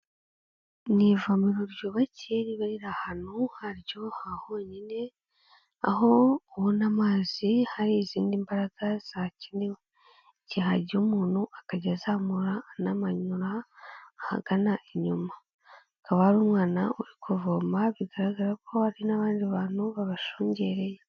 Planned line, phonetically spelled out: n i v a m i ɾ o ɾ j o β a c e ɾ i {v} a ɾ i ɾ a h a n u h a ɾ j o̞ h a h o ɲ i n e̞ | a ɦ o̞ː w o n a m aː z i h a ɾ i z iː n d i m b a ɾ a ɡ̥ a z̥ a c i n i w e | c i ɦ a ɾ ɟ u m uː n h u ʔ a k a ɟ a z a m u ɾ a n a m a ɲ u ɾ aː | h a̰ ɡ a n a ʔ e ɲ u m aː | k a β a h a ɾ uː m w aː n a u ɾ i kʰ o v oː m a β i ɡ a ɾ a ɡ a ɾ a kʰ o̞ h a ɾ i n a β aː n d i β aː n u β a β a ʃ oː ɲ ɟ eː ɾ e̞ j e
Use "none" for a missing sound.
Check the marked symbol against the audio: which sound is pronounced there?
β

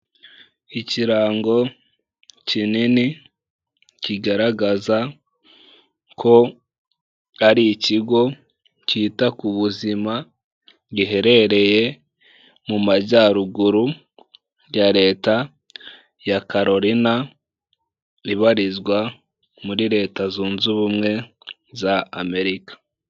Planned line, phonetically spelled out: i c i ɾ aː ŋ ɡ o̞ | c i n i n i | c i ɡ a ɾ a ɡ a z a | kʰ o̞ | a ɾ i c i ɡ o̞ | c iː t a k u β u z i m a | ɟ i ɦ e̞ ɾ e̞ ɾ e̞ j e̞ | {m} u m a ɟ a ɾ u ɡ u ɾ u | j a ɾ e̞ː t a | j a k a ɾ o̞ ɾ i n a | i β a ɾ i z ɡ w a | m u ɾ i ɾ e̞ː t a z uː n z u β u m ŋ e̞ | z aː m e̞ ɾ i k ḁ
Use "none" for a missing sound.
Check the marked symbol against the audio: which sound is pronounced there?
m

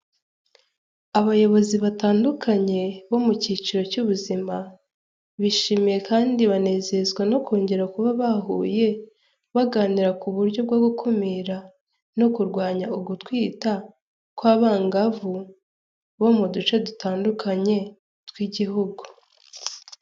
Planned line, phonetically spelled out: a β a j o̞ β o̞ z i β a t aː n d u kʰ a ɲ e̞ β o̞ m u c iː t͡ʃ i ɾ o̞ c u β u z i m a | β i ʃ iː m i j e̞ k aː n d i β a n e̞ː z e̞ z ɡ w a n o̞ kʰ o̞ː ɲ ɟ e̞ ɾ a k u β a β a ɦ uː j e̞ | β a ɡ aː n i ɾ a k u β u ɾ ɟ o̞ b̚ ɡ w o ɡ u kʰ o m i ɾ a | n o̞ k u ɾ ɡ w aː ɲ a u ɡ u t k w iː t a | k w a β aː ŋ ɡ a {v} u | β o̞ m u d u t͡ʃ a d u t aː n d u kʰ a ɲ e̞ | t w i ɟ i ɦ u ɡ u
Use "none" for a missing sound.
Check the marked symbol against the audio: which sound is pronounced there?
v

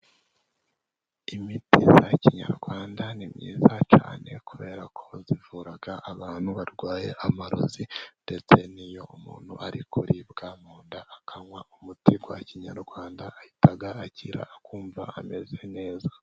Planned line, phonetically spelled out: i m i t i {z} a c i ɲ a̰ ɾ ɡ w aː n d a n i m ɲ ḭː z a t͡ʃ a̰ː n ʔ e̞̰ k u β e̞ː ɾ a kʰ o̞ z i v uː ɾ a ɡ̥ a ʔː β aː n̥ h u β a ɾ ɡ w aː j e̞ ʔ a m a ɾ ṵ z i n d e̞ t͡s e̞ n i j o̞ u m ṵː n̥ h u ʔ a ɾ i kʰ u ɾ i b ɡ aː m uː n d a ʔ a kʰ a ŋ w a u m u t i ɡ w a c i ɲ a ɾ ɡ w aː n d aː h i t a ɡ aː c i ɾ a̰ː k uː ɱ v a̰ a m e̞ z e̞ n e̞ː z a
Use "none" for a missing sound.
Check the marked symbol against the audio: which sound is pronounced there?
z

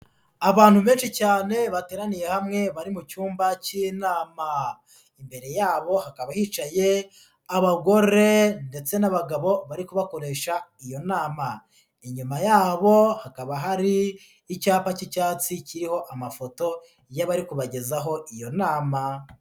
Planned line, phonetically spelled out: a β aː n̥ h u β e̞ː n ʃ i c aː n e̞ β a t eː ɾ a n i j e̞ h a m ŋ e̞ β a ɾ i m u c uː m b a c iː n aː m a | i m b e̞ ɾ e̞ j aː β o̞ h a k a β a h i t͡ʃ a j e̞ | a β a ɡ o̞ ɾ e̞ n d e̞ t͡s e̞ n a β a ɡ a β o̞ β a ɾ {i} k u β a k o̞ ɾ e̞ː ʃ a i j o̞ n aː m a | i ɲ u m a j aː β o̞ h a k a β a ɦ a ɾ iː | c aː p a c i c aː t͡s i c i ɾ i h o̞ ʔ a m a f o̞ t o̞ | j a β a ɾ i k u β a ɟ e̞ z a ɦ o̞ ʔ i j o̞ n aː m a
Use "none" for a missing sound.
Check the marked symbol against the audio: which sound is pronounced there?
i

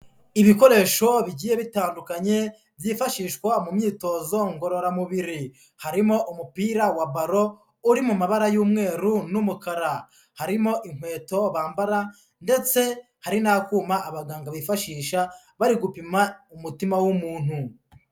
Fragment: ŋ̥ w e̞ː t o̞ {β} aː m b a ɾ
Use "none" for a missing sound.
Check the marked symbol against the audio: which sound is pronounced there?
β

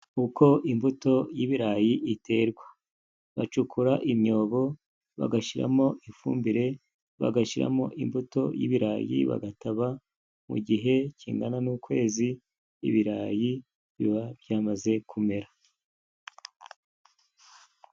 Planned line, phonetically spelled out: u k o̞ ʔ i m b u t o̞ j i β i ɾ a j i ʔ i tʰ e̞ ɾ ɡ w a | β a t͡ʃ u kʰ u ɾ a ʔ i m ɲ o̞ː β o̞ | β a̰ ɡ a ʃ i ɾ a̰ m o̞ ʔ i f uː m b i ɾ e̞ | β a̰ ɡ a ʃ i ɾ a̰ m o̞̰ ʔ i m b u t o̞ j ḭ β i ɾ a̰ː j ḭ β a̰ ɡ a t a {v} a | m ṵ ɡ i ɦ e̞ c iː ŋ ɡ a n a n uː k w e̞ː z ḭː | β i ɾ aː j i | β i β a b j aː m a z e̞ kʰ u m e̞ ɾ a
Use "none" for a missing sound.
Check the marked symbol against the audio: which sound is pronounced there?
β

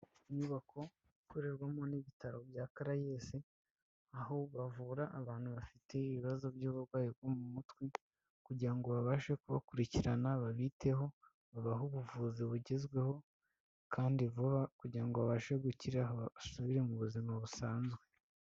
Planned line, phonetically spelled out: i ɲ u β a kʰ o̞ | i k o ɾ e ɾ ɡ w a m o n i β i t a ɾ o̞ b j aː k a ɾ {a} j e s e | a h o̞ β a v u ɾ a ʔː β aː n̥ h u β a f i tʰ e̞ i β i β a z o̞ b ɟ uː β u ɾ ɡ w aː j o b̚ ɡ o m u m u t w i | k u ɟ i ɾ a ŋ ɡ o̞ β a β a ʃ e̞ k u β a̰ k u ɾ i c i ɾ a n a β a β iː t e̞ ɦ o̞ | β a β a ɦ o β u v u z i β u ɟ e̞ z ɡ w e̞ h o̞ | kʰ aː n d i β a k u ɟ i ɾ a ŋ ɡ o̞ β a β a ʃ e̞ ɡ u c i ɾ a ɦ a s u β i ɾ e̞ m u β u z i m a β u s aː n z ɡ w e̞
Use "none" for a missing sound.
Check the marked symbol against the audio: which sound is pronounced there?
a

